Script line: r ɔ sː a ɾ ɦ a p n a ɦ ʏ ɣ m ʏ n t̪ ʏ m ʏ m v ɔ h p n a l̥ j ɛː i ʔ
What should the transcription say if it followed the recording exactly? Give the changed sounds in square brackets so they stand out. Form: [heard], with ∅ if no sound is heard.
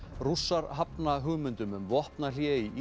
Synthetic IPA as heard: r [u] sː a ɾ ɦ a p n a ɦ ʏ ɣ m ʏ n t̪ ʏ m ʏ m v ɔ h p n a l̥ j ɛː i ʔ